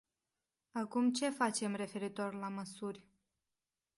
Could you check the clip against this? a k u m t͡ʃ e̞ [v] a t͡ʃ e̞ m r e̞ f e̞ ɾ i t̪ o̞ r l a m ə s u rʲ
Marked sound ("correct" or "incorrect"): incorrect